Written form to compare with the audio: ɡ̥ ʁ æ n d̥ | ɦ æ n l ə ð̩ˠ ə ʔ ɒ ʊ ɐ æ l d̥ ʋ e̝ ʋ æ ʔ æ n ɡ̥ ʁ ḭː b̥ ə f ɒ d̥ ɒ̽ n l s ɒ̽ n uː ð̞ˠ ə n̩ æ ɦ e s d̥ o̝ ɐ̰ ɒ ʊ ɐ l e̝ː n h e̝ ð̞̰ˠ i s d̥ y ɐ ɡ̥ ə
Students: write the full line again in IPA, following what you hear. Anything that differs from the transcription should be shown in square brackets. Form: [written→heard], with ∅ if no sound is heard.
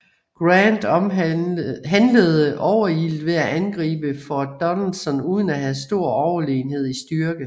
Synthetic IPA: ɡ̥ ʁ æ n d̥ | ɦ æ n l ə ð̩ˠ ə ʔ ɒ ʊ ɐ [æ→i] l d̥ ʋ e̝ [ʋ→∅] æ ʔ æ n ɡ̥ ʁ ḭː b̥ ə f ɒ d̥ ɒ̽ n l s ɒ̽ n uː ð̞ˠ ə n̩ æ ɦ [e→æ] s d̥ o̝ ɐ̰ ɒ ʊ ɐ l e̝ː n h e̝ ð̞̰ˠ i s d̥ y ɐ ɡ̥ ə

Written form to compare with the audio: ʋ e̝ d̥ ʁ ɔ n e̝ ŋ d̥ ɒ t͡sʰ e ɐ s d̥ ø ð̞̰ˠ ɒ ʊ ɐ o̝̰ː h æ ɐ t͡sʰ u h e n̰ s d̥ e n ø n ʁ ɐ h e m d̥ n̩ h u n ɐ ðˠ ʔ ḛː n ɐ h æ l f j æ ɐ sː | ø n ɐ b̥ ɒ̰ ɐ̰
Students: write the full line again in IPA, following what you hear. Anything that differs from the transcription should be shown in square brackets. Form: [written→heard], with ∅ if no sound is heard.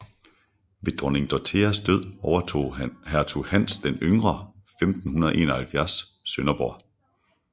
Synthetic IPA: ʋ e̝ d̥ ʁ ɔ n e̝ ŋ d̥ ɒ t͡sʰ e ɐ s d̥ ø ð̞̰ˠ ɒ ʊ ɐ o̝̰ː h æ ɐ t͡sʰ u h [e→æ] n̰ s d̥ e n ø [n→ŋ] ʁ ɐ [h→f] e m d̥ n̩ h u n ɐ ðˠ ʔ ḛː n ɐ h æ l f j æ ɐ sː | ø n ɐ b̥ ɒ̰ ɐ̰

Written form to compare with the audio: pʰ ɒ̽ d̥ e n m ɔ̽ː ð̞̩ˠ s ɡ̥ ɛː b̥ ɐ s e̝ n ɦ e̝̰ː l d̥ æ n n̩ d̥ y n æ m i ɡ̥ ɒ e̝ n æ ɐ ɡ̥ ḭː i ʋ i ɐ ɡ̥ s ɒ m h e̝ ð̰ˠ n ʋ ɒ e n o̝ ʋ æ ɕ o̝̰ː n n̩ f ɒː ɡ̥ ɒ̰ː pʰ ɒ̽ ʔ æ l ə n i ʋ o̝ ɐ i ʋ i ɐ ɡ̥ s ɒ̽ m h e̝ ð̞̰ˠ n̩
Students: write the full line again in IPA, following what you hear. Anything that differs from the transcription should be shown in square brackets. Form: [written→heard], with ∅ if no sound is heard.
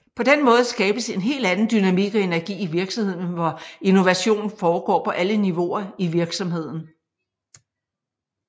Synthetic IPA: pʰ ɒ̽ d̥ e n m ɔ̽ː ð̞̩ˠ s ɡ̥ ɛː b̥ [ɐ→ə] s e̝ n ɦ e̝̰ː l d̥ æ n n̩ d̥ y n æ m i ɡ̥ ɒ e̝ n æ ɐ ɡ̥ ḭː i ʋ i ɐ ɡ̥ s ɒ m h e̝ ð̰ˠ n ʋ ɒ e n o̝ ʋ æ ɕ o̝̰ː n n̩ f ɒː ɡ̥ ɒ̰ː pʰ ɒ̽ ʔ æ l ə n i ʋ o̝ ɐ i ʋ i ɐ ɡ̥ s ɒ̽ m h e̝ ð̞̰ˠ n̩

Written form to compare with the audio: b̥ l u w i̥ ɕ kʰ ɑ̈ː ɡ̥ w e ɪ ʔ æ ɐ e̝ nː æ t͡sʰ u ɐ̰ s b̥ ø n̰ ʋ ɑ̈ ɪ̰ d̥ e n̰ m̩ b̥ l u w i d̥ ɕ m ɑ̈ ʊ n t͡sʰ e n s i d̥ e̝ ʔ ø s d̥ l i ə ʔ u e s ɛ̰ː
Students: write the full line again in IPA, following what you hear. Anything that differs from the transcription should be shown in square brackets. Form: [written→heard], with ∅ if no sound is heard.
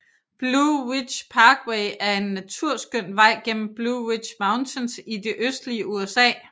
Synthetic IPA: b̥ l u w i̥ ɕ [kʰ→pʰ] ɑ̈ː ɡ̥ w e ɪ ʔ æ ɐ e̝ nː æ t͡sʰ u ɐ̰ s [b̥→ɡ̥] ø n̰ ʋ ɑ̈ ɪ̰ [d̥→ɡ̥] e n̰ m̩ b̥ l u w i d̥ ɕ m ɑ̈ ʊ n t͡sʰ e n s i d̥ e̝ ʔ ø s d̥ l i ə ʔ u e s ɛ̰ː

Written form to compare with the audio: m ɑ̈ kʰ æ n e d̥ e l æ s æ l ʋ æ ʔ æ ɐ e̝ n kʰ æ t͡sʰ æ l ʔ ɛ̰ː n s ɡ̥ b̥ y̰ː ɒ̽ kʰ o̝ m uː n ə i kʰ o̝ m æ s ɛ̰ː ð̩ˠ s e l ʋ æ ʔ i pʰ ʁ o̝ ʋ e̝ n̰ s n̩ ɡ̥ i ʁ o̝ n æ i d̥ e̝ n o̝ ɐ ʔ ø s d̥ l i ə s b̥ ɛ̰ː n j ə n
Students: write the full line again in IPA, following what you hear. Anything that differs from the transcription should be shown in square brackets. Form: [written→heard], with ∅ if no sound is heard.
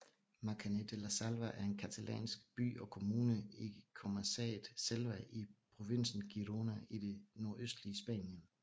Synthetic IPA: m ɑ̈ kʰ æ n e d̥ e l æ s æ l ʋ æ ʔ æ ɐ e̝ n kʰ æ t͡sʰ æ l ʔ ɛ̰ː n s ɡ̥ b̥ y̰ː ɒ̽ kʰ o̝ m uː n ə i kʰ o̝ m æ s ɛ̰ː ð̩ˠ s e l ʋ æ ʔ i pʰ ʁ o̝ ʋ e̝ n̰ s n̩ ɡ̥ i ʁ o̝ n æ i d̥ e̝ n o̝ ɐ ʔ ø s d̥ l i ə s b̥ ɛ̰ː n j ə n

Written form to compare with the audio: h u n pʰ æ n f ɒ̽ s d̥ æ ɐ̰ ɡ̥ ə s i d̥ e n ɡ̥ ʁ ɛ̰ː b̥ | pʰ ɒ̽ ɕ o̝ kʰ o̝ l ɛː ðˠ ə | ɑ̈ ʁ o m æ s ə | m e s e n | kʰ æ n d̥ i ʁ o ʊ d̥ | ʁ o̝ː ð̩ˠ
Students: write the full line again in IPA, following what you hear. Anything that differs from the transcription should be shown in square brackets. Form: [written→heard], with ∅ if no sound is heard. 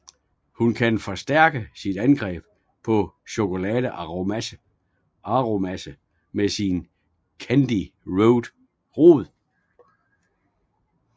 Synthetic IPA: h u n [pʰ→kʰ] æ n f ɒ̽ s d̥ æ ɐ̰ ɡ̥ ə s i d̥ [e→æ] n ɡ̥ ʁ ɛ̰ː b̥ | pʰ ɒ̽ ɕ o̝ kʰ o̝ l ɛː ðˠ ə | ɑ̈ ʁ o m æ s ə | m e s [e→i] n | kʰ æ n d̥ i ʁ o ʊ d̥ | ʁ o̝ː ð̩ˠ

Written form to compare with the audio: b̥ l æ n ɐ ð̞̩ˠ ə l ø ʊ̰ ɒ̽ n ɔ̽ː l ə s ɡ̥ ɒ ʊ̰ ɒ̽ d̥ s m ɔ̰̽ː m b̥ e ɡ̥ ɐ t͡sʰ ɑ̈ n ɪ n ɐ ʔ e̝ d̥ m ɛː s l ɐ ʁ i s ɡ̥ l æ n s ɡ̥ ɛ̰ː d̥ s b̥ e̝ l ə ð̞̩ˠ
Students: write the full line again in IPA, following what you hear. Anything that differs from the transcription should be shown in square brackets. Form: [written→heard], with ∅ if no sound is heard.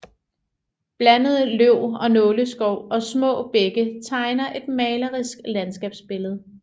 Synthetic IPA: b̥ l æ n [ɐ→ə] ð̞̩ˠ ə l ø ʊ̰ ɒ̽ n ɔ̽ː l ə s ɡ̥ ɒ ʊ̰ ɒ̽ [d̥→∅] s m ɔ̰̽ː [m→∅] b̥ e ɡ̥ [ɐ→ə] t͡sʰ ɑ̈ [n→∅] ɪ n ɐ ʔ e̝ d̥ m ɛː [s→∅] l ɐ ʁ i s ɡ̥ l æ n s ɡ̥ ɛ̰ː [d̥→b̥] s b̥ e̝ l ə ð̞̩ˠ

